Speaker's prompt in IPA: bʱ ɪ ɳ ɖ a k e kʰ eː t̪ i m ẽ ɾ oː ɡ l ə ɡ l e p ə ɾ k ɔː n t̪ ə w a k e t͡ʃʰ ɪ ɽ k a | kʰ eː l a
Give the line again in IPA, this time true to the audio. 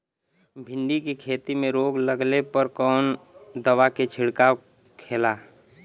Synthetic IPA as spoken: bʱ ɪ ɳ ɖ i k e kʰ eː t̪ i m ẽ ɾ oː ɡ l ə ɡ l e p ə ɾ k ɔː n d̪ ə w a k e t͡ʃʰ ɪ ɽ k a | kʰ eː l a